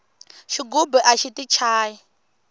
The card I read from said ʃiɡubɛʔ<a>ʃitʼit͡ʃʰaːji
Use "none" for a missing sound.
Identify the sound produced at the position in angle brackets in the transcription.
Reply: a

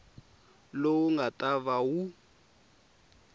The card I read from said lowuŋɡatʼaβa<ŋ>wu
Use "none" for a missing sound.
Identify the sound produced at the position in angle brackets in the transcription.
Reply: none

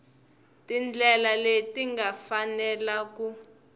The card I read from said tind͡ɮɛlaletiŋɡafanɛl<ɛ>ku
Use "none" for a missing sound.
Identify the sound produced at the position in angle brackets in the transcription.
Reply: a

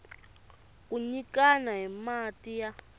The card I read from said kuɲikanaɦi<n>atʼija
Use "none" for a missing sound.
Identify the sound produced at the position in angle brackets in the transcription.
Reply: m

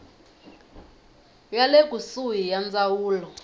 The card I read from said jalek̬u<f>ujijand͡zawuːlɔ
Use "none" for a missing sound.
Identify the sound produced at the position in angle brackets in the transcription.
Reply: s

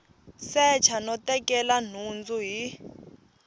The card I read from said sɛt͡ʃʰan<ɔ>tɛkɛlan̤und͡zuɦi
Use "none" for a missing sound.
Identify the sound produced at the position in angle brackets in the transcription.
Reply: ɔ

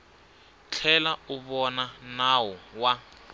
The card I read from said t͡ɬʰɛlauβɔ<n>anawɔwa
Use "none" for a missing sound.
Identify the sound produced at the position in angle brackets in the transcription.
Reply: n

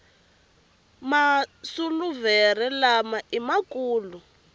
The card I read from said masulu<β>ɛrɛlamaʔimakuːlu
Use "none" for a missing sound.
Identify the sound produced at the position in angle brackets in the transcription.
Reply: v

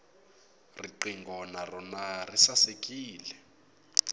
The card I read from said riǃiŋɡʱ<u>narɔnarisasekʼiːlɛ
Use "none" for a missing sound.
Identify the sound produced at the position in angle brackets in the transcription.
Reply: ɔ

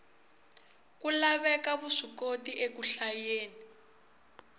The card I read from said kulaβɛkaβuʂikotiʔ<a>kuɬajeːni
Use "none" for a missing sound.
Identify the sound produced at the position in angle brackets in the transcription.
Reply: e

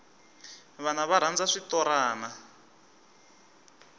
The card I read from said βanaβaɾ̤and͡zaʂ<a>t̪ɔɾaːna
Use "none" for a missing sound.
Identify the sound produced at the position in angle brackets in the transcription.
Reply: i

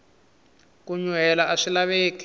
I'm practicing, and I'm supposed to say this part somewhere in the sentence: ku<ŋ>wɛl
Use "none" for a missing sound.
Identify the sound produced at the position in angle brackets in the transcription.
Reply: ɲ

